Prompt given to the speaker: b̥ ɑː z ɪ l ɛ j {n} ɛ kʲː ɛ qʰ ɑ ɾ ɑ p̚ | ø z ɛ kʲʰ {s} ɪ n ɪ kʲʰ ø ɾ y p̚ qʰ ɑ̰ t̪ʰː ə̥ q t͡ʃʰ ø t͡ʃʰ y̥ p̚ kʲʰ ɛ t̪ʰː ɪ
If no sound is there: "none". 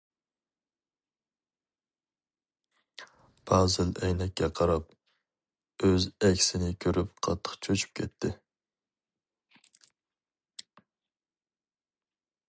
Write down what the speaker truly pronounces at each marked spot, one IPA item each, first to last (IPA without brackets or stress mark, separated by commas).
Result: n, s